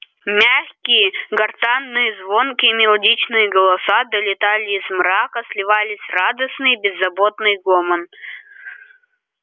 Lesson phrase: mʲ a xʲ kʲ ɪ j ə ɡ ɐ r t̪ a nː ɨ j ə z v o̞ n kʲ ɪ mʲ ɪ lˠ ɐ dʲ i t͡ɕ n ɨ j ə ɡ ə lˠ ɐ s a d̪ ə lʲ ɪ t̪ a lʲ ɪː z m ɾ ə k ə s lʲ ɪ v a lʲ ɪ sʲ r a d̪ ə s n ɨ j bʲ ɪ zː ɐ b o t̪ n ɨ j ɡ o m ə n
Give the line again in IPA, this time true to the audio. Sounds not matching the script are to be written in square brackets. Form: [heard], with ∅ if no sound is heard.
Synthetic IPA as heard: mʲ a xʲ kʲ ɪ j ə ɡ ɐ r t̪ a nː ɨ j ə z v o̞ n kʲ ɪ mʲ ɪ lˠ ɐ dʲ i t͡ɕ n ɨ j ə ɡ ə lˠ ɐ s a d̪ ə lʲ ɪ t̪ a lʲ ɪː z m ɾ [a] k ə s lʲ ɪ v a lʲ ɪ sʲ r a d̪ ə s n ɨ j bʲ ɪ zː ɐ b o t̪ n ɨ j ɡ o m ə n